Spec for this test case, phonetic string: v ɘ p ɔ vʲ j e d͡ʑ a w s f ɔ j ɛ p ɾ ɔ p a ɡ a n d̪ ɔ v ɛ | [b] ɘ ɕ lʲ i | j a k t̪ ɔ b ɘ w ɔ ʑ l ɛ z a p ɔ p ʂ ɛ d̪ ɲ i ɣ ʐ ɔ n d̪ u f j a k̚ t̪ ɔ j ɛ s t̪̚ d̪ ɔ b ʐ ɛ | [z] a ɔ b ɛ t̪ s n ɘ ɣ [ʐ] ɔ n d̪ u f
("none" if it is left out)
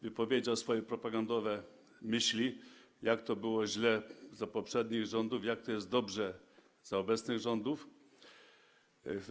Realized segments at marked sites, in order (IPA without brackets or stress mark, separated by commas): m, z, ʐ